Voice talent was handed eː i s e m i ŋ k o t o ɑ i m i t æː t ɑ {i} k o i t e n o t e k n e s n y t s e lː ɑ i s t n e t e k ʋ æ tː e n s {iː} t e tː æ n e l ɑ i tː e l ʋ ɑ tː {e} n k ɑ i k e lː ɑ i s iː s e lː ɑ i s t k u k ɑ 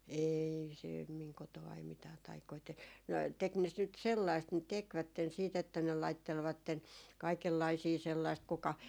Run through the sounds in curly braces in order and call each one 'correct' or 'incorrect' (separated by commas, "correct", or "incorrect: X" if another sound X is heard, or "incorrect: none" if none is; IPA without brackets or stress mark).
correct, correct, correct